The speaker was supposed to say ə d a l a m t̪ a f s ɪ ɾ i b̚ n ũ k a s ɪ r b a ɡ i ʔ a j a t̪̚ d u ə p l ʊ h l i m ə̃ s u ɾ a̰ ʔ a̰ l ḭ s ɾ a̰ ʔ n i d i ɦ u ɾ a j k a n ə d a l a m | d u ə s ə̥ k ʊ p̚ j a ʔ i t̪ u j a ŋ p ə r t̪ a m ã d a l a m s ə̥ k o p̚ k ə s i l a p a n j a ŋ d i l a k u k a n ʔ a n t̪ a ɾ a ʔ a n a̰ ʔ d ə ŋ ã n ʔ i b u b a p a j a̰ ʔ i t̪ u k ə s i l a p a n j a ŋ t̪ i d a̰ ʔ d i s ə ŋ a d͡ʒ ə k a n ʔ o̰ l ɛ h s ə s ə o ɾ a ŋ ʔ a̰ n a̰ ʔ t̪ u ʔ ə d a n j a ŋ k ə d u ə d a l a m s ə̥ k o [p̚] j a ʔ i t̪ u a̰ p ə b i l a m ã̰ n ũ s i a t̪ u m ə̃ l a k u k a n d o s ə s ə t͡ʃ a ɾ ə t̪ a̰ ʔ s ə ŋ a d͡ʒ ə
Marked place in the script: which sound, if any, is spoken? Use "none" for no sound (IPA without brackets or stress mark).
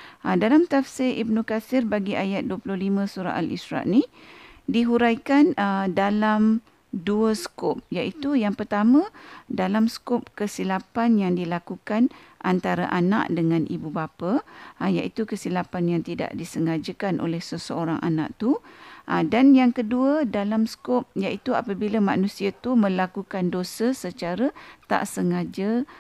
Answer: p̚